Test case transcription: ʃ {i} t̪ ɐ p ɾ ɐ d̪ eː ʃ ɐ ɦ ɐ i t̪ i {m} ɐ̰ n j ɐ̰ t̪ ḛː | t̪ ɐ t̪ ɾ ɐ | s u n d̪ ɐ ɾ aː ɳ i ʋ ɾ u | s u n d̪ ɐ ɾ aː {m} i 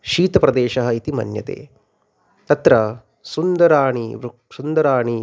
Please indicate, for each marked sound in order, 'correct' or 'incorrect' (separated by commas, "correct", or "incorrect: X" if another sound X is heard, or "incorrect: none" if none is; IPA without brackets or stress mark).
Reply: incorrect: iː, correct, incorrect: ɳ